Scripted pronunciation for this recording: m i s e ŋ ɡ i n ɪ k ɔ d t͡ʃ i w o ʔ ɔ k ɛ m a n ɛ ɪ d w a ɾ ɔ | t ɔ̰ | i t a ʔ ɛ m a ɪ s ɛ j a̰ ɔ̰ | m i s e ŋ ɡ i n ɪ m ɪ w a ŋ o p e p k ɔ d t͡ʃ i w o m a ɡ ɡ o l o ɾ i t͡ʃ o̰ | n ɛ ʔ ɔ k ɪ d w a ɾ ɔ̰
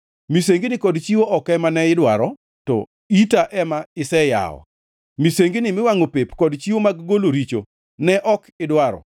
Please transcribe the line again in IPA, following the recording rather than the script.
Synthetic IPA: m i s e ŋ ɡ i n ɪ k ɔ d t͡ʃ i w o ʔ ɔ k ɛ m a n ɛ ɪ d w a ɾ ɔ | t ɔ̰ | i t a ʔ ɛ m a ɪ s ɛ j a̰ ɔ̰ | m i s e ŋ ɡ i n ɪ m ɪ w a ŋ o p e p k ɔ d t͡ʃ i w o m a ɡ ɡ o l o ɾ i t͡ʃ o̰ | n ɛ ʔ ɔ k ɪ d w a ɾ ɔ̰